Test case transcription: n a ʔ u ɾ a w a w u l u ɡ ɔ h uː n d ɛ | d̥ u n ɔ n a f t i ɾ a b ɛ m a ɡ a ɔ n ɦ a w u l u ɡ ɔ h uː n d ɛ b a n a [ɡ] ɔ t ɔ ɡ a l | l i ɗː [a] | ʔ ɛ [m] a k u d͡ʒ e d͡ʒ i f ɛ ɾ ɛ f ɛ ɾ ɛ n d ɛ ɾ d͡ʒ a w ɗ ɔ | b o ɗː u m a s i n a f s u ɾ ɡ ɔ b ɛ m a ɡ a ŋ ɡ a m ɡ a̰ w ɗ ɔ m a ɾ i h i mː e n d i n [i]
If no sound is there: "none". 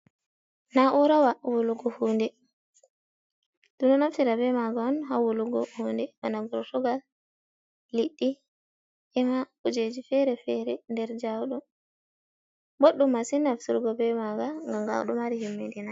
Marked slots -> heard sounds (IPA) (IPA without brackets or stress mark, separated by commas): ɡ, i, m, a